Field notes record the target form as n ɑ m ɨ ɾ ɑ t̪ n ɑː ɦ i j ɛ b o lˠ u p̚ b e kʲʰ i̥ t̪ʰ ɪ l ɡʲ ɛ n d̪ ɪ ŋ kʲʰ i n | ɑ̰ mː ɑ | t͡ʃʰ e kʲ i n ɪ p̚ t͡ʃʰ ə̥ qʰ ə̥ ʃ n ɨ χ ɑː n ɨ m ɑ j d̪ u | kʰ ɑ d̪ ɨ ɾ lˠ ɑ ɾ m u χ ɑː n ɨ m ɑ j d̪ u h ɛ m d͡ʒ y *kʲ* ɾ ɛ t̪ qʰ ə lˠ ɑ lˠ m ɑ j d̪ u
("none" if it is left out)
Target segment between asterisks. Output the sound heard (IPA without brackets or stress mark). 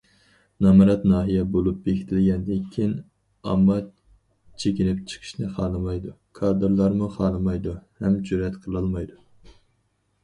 none